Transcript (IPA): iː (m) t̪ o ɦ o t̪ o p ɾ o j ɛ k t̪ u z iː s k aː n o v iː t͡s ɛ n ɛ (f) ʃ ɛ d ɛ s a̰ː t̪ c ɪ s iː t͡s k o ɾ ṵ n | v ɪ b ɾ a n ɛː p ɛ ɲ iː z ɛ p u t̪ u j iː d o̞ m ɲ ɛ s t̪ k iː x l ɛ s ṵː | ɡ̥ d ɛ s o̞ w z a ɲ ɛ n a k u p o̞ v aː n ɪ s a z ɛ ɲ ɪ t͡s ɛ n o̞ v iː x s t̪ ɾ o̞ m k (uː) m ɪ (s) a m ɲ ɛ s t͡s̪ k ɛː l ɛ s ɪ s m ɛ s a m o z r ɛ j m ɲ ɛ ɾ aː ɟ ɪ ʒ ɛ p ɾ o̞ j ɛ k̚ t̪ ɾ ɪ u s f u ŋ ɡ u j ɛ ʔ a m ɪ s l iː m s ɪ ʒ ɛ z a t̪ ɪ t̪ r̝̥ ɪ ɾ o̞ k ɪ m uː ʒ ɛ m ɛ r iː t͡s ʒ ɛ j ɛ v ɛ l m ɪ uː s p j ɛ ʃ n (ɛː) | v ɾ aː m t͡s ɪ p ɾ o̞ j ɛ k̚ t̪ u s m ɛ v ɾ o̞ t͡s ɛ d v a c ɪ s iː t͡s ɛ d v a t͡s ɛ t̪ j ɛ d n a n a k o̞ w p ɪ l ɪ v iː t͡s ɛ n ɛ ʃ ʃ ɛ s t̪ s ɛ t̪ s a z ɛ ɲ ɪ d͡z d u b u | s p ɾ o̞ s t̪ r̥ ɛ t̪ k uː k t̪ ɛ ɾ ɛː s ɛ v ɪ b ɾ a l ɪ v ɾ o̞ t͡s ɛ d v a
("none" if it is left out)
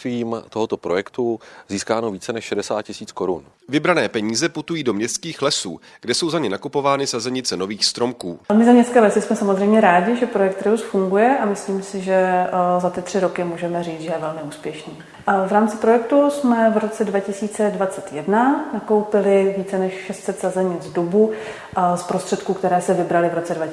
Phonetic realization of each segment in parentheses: m, ʃ, uː, z, iː

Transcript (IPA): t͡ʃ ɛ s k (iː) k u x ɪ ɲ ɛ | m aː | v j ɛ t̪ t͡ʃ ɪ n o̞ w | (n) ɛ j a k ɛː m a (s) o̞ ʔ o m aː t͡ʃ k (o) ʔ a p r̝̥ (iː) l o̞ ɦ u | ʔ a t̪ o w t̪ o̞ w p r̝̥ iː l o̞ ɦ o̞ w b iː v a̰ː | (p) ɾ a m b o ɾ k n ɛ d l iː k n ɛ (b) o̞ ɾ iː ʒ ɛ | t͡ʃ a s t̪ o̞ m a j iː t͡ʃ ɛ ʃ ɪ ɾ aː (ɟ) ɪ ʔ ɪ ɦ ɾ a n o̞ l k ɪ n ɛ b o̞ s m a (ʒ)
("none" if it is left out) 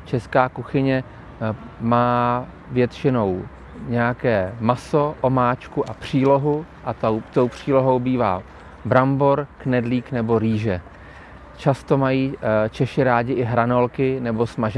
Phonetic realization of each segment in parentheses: aː, ɲ, s, u, iː, b, b, ɟ, ʒ

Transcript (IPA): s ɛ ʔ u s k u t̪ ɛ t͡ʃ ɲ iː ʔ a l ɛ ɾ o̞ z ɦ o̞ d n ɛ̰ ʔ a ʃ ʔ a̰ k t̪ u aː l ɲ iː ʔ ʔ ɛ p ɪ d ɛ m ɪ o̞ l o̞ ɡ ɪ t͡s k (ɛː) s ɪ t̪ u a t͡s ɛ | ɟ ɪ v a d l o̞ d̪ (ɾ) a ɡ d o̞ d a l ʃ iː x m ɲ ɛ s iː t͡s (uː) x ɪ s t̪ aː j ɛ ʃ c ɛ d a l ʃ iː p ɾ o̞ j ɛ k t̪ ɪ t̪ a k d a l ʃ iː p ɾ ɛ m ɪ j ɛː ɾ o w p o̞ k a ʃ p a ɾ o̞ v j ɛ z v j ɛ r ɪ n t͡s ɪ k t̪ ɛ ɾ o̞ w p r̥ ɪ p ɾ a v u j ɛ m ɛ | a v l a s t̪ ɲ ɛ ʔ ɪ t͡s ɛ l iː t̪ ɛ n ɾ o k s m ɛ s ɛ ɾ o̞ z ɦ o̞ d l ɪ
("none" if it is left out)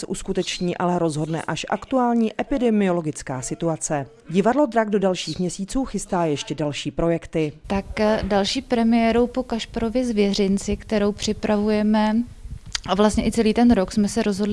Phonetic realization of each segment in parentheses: aː, ɾ, uː

